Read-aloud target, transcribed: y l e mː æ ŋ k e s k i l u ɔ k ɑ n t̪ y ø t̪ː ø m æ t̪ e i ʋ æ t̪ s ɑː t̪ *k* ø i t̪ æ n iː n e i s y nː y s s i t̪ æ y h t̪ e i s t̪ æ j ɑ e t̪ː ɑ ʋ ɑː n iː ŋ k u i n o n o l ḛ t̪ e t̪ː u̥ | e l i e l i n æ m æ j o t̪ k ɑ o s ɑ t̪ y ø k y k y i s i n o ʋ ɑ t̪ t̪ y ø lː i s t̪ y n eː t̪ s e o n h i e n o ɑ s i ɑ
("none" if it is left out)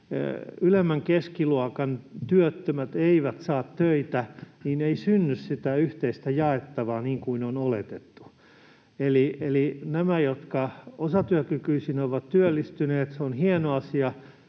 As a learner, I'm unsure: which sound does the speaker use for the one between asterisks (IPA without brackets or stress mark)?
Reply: t